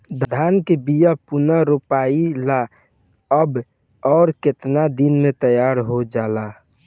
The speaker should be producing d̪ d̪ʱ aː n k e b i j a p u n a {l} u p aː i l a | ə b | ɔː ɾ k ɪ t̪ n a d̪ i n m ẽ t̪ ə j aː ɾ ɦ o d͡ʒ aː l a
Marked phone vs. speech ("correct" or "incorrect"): incorrect